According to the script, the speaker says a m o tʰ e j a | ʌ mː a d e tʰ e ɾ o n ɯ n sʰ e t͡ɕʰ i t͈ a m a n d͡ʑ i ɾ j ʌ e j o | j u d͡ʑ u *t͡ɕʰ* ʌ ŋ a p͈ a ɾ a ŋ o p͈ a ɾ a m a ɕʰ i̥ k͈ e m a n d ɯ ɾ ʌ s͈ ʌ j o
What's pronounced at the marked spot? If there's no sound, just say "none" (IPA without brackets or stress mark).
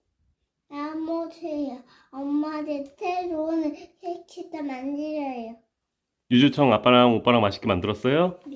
t͡ɕʰ